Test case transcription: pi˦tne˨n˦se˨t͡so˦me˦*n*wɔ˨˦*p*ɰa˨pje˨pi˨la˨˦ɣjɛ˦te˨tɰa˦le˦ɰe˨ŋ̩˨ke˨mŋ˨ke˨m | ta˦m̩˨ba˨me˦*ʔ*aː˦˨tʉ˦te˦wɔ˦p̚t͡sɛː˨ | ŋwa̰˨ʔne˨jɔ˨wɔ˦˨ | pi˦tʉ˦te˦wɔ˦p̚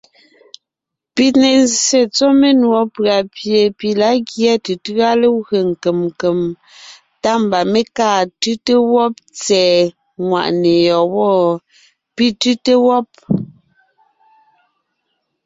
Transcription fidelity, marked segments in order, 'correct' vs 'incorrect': correct, correct, incorrect

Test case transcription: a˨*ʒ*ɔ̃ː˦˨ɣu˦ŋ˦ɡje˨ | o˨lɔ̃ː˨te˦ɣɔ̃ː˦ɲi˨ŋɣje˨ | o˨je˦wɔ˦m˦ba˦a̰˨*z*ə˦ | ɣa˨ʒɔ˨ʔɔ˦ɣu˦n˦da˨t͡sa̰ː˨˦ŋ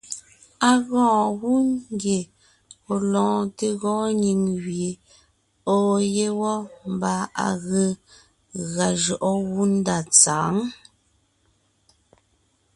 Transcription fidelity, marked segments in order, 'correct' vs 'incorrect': incorrect, incorrect

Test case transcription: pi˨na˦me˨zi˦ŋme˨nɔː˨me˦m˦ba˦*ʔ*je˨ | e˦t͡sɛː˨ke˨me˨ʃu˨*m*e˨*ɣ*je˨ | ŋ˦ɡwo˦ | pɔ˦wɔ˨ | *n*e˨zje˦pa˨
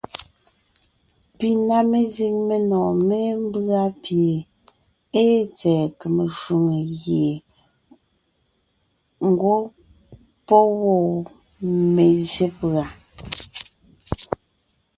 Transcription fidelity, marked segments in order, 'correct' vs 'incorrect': incorrect, incorrect, correct, incorrect

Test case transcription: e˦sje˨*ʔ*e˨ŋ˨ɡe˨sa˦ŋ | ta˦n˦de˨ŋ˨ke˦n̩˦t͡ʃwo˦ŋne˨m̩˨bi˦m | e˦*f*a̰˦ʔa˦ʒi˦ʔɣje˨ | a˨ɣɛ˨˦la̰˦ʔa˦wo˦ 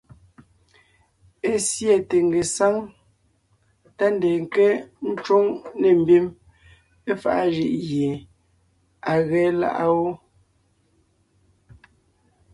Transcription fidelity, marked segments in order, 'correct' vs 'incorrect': incorrect, correct

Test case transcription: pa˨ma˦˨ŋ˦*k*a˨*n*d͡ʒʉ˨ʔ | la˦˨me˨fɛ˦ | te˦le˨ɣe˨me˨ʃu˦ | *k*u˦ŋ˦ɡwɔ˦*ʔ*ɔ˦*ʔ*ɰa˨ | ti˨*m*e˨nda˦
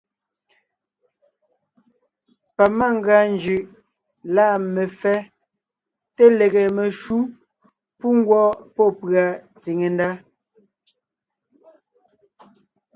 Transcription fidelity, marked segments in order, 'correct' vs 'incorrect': incorrect, correct, incorrect, incorrect, incorrect, incorrect

